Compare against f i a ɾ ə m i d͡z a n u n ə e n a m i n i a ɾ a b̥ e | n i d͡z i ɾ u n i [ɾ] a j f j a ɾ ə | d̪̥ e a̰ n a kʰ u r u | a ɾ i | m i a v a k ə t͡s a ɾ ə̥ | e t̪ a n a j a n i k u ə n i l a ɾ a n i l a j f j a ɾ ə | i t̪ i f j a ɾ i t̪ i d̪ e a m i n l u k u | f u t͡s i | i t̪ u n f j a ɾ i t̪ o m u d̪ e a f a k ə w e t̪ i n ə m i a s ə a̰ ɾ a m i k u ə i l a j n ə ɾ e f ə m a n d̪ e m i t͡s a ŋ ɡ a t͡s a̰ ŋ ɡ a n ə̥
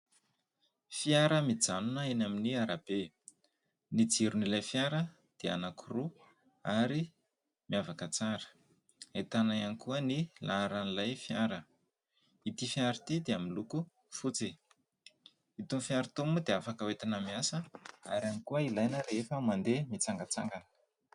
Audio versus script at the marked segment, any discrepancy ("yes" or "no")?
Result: yes